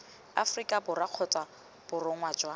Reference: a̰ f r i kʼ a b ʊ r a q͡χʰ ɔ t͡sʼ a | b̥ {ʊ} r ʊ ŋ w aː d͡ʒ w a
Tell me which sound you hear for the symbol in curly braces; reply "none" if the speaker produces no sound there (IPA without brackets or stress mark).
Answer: ʊ